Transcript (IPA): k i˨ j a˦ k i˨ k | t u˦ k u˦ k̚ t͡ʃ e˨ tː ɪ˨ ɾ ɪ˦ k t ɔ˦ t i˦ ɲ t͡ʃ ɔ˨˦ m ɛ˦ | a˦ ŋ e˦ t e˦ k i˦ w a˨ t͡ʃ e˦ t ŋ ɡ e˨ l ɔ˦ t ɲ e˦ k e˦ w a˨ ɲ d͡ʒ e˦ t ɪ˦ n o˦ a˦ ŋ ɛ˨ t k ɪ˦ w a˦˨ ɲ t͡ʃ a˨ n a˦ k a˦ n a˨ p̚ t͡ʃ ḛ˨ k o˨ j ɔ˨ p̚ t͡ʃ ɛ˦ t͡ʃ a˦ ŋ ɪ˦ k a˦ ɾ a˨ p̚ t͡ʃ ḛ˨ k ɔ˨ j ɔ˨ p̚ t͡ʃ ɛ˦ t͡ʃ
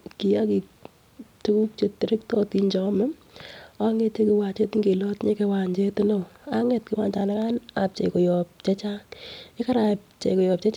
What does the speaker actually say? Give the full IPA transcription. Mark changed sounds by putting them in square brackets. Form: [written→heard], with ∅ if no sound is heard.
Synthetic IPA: k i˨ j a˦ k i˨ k | t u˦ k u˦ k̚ t͡ʃ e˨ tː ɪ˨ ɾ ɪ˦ k t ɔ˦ t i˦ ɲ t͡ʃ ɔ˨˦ m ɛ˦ | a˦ ŋ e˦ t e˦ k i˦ w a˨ t͡ʃ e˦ t ŋ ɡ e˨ l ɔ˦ t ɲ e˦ k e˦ w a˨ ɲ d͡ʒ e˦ t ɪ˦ n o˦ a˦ ŋ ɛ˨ t k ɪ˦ w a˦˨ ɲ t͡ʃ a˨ n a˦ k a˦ n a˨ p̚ t͡ʃ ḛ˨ k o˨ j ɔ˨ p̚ t͡ʃ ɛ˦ t͡ʃ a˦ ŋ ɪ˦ k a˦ ɾ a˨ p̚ t͡ʃ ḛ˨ k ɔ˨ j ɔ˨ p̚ t͡ʃ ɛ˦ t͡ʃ

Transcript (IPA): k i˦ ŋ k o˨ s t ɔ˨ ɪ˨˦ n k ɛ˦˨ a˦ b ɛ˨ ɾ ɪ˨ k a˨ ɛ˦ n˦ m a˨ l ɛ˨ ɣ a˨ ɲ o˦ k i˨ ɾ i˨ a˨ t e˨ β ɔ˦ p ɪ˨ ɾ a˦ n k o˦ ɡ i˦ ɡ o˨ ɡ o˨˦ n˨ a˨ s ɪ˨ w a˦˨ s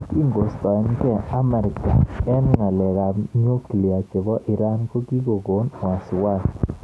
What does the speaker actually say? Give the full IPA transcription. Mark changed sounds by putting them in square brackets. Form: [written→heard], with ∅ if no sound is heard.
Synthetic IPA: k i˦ ŋ [k→ɡ] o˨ s t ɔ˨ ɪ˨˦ n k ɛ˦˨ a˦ [b→m] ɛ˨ ɾ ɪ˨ k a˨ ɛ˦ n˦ [m→ŋ] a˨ l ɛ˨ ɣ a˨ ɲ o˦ k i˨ [ɾ→l] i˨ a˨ [t→t͡ʃ] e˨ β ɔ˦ [p→ʔ] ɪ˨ ɾ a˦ n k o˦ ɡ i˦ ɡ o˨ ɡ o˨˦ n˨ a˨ s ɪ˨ w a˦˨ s

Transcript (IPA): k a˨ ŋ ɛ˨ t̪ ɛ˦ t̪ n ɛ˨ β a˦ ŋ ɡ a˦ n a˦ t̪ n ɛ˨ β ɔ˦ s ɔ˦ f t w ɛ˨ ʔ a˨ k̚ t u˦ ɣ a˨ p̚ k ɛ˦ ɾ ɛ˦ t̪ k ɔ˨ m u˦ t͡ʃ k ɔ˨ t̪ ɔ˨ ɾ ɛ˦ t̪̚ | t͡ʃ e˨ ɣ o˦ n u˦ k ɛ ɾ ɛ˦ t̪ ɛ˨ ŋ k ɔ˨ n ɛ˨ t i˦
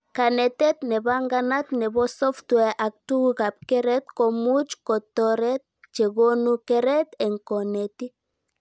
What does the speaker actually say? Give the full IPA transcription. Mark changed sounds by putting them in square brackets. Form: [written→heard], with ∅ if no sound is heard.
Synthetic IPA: k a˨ [ŋ→n] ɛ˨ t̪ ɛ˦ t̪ n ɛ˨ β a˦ ŋ ɡ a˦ n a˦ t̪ n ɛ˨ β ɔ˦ s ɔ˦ f t w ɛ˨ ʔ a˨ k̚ t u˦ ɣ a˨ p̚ k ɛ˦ ɾ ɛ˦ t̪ k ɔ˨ m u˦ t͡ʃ k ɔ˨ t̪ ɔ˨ ɾ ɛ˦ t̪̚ | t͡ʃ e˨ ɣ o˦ n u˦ k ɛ ɾ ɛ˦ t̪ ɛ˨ ŋ k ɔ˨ n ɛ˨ t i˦

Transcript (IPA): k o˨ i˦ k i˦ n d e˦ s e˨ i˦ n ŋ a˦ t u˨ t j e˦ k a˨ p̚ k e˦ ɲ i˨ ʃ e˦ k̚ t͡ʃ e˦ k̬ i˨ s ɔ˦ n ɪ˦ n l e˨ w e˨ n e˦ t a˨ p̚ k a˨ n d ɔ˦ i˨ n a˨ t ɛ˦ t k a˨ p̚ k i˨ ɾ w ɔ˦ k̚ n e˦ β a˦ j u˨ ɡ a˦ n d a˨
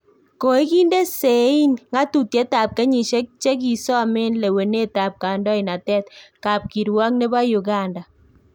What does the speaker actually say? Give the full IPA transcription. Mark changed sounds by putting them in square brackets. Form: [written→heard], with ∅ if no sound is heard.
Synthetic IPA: k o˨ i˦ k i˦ n d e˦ s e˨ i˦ n ŋ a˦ t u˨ t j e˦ [k→t] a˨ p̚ k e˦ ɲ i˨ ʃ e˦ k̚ t͡ʃ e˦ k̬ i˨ s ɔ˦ [n→m] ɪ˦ n l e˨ w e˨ n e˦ t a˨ p̚ k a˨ n d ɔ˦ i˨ n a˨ t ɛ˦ t k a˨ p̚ k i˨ ɾ w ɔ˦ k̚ n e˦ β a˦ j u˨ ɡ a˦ n d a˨

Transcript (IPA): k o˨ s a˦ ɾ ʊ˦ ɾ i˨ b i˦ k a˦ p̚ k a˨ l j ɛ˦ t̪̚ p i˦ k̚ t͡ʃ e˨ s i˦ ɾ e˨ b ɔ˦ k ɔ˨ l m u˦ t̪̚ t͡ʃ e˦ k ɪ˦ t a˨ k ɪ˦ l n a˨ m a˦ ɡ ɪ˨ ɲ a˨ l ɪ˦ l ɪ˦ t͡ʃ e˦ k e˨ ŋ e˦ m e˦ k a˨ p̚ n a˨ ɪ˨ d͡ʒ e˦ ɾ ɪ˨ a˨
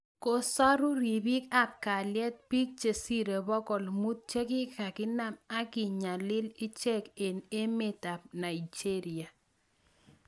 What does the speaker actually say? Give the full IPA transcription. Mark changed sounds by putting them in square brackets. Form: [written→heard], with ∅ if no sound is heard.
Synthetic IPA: k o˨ s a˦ ɾ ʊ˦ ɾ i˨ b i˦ k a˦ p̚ k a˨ l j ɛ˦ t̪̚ p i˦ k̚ t͡ʃ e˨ s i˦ ɾ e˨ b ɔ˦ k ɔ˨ l m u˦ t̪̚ t͡ʃ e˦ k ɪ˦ [t→k] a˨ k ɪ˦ [l→∅] n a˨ m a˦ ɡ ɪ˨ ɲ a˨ l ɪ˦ l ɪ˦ t͡ʃ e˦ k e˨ [ŋ→n] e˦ m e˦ [k→t] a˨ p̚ n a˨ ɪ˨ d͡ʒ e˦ ɾ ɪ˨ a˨

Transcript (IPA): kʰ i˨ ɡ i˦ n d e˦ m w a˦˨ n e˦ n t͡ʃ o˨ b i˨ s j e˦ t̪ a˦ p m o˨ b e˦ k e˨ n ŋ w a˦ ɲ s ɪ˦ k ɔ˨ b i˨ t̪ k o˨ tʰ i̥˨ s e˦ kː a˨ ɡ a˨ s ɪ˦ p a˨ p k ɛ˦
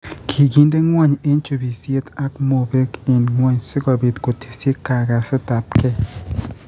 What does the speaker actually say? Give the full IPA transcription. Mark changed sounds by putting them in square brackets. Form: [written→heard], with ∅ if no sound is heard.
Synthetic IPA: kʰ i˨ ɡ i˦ n d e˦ [m→ŋ] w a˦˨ [n→ɲ] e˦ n t͡ʃ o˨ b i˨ s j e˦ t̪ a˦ [p→k] m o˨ b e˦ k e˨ n ŋ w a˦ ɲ s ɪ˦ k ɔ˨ b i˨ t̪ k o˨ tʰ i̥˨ s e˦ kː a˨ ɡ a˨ s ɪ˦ [p→t] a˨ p k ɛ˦

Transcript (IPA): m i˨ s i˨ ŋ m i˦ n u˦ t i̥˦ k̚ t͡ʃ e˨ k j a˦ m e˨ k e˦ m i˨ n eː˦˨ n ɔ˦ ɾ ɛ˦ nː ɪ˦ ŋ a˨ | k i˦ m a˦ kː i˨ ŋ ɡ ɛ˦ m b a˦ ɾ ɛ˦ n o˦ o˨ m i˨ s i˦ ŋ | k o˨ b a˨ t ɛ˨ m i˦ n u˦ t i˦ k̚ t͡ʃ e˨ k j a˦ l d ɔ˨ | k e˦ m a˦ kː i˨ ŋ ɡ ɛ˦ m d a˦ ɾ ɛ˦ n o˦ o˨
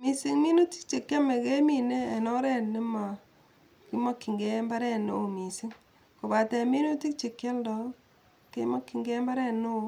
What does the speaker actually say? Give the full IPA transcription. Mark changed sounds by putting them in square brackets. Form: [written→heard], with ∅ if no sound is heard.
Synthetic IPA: m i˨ s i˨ ŋ m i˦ n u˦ t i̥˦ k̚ t͡ʃ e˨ k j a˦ m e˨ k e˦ m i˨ n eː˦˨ n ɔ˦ ɾ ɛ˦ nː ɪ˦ [ŋ→m] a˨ | k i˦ m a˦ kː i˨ ŋ ɡ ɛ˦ m b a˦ ɾ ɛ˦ n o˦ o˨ m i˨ s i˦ ŋ | k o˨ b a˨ t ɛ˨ m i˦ n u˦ t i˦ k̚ t͡ʃ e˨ k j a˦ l d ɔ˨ | k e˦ m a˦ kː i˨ ŋ ɡ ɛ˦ m [d→b] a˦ ɾ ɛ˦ n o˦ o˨

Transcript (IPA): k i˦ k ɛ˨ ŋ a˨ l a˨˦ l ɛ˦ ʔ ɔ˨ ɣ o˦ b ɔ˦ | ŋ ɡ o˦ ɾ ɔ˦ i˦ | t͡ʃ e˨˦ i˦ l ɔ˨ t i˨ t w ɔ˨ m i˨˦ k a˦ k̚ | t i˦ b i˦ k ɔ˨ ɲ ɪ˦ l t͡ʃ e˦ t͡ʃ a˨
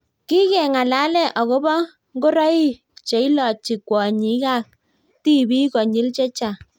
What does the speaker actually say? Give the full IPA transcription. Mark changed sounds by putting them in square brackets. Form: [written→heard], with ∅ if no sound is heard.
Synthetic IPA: k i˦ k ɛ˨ ŋ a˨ l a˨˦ l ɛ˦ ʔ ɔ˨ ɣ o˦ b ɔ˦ | ŋ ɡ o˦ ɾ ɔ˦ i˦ | t͡ʃ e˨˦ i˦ l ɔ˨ [t→t͡ʃ] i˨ [t→k] w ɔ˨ [m→ɲ] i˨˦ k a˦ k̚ | t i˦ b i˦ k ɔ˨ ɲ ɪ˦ l t͡ʃ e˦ t͡ʃ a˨

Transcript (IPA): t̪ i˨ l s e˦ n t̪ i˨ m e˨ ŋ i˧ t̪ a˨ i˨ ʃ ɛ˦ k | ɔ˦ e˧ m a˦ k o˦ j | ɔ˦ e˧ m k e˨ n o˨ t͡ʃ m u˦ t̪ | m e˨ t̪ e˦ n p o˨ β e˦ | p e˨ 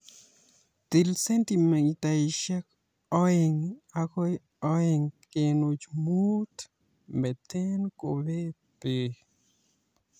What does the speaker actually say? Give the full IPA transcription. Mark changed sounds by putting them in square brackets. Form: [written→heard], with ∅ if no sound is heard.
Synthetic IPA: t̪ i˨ l s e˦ n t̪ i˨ m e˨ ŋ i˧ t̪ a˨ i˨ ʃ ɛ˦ k | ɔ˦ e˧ [m→ŋ] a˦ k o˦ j | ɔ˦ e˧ [m→ŋ] k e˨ n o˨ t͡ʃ m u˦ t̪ | m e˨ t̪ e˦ n [p→k] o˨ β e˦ | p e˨

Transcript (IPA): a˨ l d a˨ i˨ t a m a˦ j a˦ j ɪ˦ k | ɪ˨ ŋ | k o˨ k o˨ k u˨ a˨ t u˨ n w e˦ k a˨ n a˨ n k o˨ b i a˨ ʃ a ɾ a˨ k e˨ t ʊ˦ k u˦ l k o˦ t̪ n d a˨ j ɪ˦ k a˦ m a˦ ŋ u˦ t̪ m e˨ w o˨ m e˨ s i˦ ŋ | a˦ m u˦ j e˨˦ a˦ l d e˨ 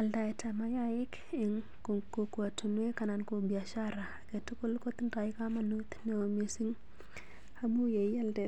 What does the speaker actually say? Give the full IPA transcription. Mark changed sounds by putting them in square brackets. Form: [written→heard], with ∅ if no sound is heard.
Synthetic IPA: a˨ l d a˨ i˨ t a m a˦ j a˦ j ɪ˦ k | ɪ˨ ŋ | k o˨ k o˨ k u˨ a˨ t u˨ n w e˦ k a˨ n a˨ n k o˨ b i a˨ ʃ a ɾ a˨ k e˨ t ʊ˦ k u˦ l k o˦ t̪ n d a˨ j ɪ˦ k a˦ m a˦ [ŋ→n] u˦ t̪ [m→n] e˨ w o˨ m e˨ s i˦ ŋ | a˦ m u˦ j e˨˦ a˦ l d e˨

